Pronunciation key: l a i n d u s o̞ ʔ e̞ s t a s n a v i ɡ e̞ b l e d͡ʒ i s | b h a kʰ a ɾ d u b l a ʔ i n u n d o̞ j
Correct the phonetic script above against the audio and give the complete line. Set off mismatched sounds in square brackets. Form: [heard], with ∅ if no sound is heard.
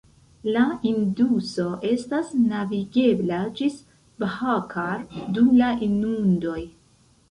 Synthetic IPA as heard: l a i n d u s o̞ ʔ e̞ s t a s n a v i ɡ e̞ b l [a] d͡ʒ i s | b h a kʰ a ɾ d u [m] l a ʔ i n u n d o̞ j

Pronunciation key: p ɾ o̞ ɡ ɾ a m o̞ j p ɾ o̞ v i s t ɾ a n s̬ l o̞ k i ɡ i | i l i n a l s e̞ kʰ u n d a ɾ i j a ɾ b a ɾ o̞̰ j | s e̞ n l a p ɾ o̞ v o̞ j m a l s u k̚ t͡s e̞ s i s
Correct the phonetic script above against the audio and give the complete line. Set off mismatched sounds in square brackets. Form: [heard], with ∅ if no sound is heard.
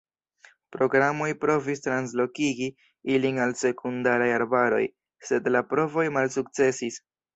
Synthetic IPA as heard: p ɾ o̞ ɡ ɾ a m o̞ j p ɾ o̞ v i s t ɾ a n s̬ l o̞ k i ɡ i | i l i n a l s e̞ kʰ u n d a ɾ [a] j a ɾ b a ɾ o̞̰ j | s e̞ [d] l a p ɾ o̞ v o̞ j m a l s u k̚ t͡s e̞ s i s

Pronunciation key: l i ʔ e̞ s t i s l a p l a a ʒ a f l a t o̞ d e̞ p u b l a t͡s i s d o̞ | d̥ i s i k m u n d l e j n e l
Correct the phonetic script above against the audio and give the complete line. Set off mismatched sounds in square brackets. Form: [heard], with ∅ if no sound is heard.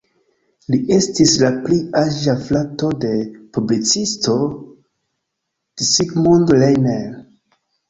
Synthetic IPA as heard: l i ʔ e̞ s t i s l a p l [i] a ʒ a f l a t o̞ d e̞ p u b l [i] t͡s i s [t] o̞ | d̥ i s i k m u n d l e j n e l

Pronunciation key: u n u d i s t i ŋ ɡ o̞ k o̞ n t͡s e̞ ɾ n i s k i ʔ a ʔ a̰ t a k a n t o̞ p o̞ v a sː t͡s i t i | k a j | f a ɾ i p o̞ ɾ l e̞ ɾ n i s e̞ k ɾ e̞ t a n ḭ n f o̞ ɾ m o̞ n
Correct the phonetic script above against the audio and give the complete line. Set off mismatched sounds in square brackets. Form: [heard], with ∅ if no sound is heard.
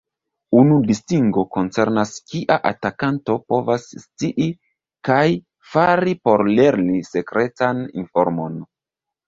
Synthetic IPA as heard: u n u d i s t i ŋ ɡ o̞ k o̞ n t͡s e̞ ɾ n [a] s k i ʔ a ʔ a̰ t a k a n t o̞ p o̞ v a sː t͡s i [ʔ] i | k a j | f a ɾ i p o̞ ɾ l e̞ ɾ n i s e̞ k ɾ e̞ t a n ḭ n f o̞ ɾ m o̞ n

